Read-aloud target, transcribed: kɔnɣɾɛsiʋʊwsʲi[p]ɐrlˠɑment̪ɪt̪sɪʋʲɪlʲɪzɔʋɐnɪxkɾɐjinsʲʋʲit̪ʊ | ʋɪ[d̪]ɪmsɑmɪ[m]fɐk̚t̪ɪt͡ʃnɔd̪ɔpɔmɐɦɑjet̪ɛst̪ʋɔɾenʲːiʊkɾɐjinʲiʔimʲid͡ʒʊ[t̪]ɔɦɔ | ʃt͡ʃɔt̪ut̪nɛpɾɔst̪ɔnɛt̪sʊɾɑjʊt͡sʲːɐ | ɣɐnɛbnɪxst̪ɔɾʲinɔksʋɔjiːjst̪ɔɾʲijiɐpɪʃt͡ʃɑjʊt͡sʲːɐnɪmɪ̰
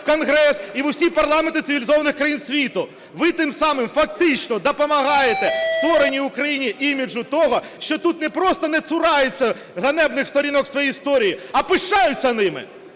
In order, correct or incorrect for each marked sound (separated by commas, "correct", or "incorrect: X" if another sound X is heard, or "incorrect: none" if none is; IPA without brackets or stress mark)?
correct, incorrect: t̪, correct, correct